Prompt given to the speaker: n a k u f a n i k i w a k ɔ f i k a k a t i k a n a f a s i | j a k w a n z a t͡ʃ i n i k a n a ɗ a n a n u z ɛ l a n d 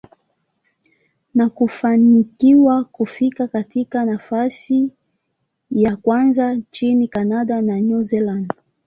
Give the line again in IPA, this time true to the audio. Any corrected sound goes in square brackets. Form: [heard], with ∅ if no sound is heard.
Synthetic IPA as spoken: n a k u f a n i k i w a k [u] f i k a k a t i k a n a f a s i | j a k w a n z a t͡ʃ i n i k a n a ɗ a n a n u z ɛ l a n d